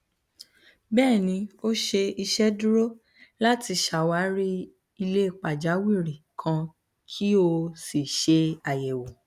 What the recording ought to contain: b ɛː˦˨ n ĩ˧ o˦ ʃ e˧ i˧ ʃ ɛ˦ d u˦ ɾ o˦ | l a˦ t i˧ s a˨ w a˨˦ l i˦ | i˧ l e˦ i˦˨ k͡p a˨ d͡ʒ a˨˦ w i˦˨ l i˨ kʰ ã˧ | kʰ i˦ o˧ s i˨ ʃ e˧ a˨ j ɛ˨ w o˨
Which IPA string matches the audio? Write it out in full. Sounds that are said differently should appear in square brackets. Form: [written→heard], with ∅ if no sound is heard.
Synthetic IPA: b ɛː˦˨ n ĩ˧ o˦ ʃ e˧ i˧ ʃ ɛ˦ d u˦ ɾ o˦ | l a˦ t i˧ [s→ʃ] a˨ w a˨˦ [l→ɾ] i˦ | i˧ l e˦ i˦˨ k͡p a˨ d͡ʒ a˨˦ w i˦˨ [l→ɾ] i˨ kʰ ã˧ | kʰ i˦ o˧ s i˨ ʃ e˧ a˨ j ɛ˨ w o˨